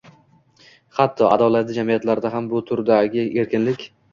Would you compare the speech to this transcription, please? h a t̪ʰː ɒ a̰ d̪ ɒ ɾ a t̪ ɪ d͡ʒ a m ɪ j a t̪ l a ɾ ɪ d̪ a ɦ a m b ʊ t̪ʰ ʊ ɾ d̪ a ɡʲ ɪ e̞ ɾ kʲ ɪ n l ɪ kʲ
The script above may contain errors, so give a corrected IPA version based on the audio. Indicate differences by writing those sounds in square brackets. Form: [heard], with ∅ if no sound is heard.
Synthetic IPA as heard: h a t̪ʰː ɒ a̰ d̪ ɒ [l] a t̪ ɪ d͡ʒ a m [i] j a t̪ l a ɾ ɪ d̪ a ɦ a m b ʊ t̪ʰ ʊ ɾ d̪ a ɡʲ ɪ e̞ ɾ kʲ ɪ n l ɪ kʲ